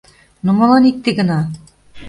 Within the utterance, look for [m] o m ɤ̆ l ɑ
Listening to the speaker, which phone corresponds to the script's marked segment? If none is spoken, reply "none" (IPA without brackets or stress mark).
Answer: n